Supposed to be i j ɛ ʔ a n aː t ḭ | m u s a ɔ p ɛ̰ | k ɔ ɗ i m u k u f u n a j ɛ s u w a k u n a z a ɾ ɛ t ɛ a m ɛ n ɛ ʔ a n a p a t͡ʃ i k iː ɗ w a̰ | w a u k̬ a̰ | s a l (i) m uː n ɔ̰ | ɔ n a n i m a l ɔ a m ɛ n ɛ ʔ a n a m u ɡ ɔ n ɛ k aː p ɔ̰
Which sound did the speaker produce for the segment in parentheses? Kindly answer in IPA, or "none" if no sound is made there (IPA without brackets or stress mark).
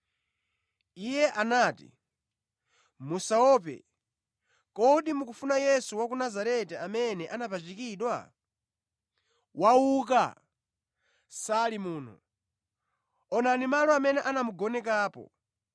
i